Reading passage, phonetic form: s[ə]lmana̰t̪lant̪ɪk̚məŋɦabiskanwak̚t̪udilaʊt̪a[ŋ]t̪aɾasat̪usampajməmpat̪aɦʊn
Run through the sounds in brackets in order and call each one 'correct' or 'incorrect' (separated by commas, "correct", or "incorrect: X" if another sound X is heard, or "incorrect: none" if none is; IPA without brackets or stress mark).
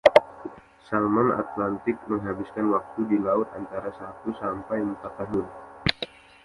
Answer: incorrect: a, incorrect: n